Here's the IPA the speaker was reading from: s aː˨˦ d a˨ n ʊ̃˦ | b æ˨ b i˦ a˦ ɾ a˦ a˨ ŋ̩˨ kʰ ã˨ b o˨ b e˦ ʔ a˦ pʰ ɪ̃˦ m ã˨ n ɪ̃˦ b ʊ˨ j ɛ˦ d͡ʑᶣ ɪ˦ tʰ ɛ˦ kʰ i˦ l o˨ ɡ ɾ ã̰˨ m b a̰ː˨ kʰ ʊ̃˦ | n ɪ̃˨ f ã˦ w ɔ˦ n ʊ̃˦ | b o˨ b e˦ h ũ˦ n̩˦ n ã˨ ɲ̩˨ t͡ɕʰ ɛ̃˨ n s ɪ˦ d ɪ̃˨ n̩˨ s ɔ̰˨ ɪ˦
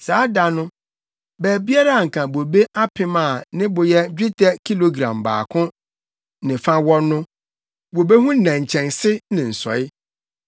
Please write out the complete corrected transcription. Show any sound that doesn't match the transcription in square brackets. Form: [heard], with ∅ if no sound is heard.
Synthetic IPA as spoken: s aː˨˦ d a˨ n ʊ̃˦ | b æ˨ b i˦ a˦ ɾ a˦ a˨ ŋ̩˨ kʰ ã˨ b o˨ b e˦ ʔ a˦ pʰ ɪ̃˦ m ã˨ n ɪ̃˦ b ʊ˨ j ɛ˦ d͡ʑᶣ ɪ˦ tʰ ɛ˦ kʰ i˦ l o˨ ɡ ɾ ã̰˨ m b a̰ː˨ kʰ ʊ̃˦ | n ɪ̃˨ f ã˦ w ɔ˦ n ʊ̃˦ | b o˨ b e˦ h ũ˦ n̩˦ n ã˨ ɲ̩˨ t͡ɕʰ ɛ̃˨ n s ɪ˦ [n] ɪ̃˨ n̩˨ s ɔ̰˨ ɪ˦